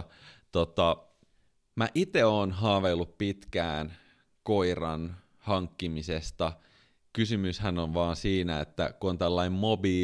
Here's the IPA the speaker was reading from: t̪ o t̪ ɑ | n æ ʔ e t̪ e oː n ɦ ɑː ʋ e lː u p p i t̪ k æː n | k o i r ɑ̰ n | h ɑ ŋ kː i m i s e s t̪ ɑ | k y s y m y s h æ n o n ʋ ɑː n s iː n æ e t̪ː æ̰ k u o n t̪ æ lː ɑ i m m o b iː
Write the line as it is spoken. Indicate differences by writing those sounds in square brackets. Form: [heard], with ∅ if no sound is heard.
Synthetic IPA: t̪ o t̪ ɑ | [m] æ ʔ [i] t̪ e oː n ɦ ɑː ʋ e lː u p p i t̪ k æː n | k o i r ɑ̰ n | h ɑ ŋ kː i m i s e s t̪ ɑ | k y s y m y s h æ n o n ʋ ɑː n s iː n æ e t̪ː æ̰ k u o n t̪ æ lː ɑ i m m o b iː